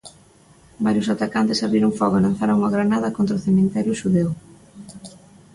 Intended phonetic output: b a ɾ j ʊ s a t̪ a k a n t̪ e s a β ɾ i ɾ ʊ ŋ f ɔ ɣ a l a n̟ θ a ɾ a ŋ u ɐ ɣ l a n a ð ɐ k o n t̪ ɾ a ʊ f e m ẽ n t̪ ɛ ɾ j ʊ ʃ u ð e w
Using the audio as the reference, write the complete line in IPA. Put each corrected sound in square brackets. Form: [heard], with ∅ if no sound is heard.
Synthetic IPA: b a ɾ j ʊ s a t̪ a k a n t̪ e s a β ɾ i ɾ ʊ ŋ f ɔ ɣ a l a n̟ θ a ɾ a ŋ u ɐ ɣ [ɾ] a n a ð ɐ k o n t̪ ɾ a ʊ [θ] e m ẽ n t̪ ɛ ɾ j ʊ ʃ u ð e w

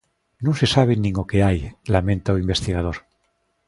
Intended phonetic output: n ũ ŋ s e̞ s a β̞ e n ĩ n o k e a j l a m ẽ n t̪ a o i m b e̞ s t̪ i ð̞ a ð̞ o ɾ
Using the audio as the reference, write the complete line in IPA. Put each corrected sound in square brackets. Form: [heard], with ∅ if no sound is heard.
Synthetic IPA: n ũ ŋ s e̞ s a β̞ e n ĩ [ŋ] o k e a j l a m ẽ n t̪ a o i m b e̞ s t̪ i [ɣ̞] a ð̞ o ɾ

